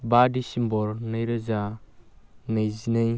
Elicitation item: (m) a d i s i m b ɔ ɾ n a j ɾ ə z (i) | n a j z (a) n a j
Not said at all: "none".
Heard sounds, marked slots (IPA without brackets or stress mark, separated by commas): b, a, i